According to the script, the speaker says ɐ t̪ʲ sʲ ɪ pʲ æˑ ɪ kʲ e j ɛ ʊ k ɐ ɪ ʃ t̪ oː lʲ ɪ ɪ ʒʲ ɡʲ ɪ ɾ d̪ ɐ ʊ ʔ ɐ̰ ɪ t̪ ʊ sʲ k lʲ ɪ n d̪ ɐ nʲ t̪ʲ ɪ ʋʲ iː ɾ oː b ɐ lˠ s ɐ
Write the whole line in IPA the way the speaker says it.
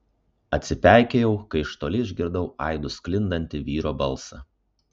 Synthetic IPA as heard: ɐ t̪ʲ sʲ ɪ pʲ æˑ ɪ kʲ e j ɛ ʊ k ɐ ɪ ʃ t̪ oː lʲ ɪ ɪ ʒʲ ɡʲ ɪ ɾ d̪ ɐ ʊ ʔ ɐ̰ ɪ d̪ ʊ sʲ k lʲ ɪ n d̪ ɐ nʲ t̪ʲ ɪ ʋʲ iː ɾ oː b ɐ lˠ s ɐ